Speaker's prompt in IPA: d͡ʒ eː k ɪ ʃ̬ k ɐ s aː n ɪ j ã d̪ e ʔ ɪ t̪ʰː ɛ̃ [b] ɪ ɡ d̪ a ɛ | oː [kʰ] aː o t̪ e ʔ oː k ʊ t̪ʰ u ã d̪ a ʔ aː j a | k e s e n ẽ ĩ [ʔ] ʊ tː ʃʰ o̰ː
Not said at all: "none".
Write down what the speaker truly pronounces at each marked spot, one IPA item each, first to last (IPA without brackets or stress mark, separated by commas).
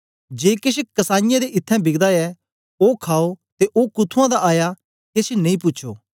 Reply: b, kʰ, p